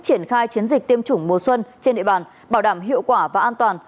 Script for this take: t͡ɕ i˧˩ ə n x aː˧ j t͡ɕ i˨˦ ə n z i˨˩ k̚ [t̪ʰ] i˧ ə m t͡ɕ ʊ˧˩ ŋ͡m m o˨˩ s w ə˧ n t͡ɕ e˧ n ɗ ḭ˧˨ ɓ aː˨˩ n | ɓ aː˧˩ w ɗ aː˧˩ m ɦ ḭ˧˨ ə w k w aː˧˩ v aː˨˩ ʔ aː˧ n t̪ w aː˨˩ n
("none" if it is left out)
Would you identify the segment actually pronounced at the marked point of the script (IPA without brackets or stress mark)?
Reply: t̪